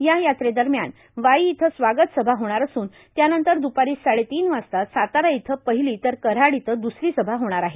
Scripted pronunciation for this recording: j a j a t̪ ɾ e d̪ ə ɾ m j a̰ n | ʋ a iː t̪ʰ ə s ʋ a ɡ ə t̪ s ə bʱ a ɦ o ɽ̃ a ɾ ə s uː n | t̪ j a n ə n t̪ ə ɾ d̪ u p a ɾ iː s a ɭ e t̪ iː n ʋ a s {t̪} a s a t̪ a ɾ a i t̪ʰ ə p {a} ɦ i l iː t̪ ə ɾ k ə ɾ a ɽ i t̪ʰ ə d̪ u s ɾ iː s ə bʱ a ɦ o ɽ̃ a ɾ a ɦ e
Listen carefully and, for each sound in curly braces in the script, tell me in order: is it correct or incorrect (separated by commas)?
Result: correct, incorrect